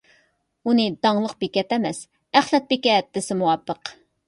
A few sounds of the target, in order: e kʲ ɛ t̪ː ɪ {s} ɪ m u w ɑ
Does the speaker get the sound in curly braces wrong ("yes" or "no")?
no